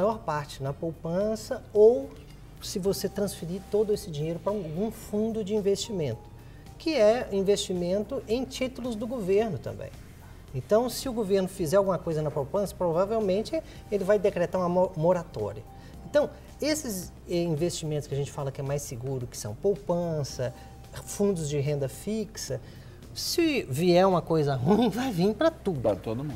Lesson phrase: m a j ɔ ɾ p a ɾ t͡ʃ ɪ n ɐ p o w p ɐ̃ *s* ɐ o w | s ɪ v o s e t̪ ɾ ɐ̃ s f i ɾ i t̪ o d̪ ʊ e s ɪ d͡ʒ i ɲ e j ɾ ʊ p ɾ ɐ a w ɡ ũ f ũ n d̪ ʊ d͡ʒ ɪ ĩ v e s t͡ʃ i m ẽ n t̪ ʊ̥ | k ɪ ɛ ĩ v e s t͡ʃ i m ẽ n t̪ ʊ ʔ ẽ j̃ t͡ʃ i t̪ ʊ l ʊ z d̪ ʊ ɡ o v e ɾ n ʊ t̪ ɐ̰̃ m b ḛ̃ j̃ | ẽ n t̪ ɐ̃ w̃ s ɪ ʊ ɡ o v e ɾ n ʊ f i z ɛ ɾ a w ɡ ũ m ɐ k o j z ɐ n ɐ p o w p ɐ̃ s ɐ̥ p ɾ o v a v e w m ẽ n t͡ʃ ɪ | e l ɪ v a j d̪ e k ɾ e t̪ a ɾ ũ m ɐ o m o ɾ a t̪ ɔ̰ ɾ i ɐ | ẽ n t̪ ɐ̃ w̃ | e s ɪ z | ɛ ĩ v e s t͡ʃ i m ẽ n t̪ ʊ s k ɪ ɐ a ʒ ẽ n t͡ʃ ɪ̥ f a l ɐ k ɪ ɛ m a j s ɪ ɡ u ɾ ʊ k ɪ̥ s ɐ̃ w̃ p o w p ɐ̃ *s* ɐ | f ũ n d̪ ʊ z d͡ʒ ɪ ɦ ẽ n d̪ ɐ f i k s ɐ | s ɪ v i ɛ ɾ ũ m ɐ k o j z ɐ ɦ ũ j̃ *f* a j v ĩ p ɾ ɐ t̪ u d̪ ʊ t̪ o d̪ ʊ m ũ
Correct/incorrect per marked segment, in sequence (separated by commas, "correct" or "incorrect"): correct, correct, incorrect